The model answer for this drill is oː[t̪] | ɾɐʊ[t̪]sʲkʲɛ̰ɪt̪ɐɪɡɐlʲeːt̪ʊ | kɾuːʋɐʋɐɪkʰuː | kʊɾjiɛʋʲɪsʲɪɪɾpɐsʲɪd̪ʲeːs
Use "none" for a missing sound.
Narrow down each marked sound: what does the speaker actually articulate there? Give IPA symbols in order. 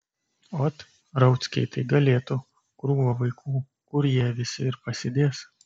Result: t̪, t̪

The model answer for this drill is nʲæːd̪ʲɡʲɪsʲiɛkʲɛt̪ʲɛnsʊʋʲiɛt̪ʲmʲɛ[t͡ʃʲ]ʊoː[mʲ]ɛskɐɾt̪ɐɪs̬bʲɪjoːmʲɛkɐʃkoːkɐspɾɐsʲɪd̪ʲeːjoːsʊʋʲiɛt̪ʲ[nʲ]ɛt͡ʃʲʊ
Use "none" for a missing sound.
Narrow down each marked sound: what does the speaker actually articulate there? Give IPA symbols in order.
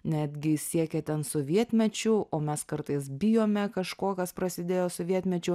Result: t͡ʃʲ, mʲ, mʲ

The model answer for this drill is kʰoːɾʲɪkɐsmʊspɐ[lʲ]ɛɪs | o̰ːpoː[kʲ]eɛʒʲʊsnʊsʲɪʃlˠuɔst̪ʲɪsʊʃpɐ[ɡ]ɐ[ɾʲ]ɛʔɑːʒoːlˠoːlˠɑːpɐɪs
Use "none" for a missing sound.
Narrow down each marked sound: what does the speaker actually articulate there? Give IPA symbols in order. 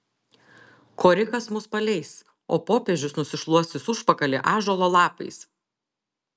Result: lʲ, pʲ, k, lʲ

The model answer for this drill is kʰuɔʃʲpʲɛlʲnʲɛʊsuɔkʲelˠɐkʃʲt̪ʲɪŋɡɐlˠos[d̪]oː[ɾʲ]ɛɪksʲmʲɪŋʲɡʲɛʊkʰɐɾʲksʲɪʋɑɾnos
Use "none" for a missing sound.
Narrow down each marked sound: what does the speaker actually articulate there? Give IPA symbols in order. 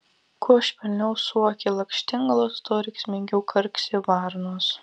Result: t̪, ɾʲ

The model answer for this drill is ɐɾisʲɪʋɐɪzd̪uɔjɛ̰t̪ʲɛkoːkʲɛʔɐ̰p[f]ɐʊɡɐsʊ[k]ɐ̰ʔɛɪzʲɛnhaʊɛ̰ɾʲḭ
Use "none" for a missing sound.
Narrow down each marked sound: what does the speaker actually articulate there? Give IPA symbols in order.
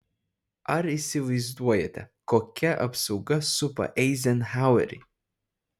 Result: s, p

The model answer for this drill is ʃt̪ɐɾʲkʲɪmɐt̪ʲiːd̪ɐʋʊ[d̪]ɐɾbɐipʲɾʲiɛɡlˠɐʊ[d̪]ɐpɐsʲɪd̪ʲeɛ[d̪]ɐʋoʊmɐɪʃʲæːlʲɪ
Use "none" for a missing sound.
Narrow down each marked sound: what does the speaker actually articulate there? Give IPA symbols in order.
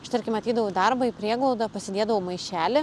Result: d̪, d̪, d̪

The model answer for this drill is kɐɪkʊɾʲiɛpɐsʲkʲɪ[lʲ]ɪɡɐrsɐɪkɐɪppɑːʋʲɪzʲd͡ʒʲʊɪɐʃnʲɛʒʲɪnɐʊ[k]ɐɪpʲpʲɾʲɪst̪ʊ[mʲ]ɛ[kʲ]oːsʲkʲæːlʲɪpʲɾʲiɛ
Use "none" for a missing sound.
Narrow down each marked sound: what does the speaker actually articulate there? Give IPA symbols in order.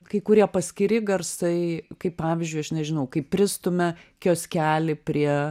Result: ɾʲ, k, mʲ, kʲ

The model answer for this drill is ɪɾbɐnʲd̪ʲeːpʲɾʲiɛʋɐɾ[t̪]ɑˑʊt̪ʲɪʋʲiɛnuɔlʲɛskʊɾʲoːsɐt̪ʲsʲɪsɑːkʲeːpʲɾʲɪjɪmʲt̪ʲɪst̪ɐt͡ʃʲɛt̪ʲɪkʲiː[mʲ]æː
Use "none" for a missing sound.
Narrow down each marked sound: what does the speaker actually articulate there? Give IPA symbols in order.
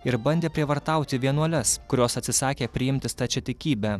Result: t̪, bʲ

